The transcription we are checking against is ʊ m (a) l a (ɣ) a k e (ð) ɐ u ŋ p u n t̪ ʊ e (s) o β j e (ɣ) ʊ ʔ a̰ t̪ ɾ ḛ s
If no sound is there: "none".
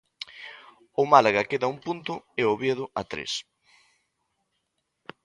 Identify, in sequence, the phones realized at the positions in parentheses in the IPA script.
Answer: a, ɣ, ð, none, ð

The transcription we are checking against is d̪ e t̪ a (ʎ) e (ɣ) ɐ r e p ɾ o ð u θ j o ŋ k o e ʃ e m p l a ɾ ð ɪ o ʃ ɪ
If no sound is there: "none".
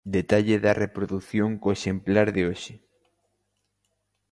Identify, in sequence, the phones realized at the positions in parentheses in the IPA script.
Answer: ʎ, ð

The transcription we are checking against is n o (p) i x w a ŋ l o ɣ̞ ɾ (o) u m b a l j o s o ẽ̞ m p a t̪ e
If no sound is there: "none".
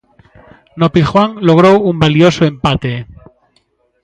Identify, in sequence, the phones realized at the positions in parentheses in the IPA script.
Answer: p, o

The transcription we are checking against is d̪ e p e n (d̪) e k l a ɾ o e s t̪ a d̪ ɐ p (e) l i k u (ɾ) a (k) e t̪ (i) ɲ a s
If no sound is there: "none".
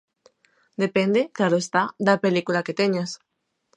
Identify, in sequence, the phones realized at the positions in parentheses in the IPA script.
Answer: d̪, e, l, k, e

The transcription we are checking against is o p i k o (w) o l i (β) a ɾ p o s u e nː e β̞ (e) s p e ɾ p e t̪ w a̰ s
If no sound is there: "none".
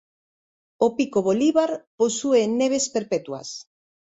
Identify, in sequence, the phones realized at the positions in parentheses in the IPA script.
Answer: β, β, e

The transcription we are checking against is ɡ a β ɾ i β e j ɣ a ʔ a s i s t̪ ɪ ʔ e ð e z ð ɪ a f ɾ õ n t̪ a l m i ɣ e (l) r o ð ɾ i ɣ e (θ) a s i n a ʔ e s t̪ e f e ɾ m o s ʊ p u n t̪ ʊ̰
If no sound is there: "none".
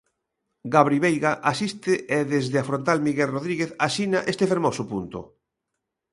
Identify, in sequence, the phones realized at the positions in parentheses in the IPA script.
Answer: l, θ

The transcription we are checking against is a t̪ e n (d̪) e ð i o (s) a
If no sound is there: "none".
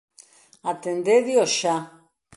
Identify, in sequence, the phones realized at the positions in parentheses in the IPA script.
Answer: d̪, ʃ

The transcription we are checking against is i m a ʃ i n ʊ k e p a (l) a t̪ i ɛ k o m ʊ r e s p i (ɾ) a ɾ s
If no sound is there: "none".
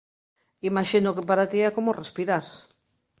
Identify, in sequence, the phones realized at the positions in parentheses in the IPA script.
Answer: ɾ, ɾ

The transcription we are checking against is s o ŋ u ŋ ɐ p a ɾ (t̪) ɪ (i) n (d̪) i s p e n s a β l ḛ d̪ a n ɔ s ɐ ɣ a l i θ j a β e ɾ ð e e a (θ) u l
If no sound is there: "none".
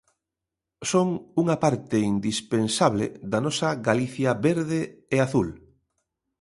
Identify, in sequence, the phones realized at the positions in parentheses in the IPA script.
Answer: t̪, i, d̪, θ

